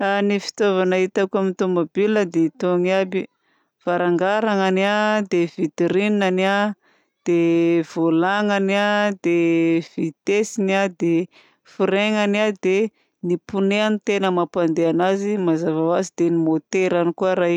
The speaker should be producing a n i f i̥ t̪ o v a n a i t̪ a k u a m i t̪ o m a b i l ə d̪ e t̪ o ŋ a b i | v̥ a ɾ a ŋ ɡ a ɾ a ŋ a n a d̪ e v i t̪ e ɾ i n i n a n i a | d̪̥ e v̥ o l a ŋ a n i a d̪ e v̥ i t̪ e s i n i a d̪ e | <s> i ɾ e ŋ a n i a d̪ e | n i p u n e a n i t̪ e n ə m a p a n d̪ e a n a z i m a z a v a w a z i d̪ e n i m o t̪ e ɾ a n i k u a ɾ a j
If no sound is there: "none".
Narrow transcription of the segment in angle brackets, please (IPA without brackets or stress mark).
f